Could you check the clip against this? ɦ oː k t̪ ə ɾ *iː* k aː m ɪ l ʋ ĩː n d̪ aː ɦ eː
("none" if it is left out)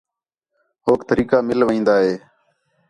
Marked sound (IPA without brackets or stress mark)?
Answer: iː